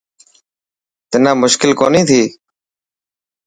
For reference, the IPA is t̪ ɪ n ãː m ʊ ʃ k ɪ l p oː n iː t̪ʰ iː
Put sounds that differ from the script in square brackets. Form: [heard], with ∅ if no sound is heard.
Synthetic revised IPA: t̪ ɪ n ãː m ʊ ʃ k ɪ l [k] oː n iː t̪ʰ iː